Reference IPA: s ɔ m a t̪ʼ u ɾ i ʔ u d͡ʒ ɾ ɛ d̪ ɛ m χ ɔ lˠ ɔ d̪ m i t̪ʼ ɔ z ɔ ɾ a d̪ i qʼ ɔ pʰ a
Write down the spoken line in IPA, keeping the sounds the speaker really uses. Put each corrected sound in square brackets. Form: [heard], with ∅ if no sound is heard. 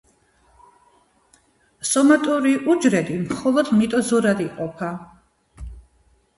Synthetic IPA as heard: s ɔ m a t̪ʼ u ɾ i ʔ u d͡ʒ ɾ ɛ d̪ [i] m χ ɔ lˠ ɔ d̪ m i t̪ʼ ɔ z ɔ ɾ a d̪ i qʼ ɔ pʰ a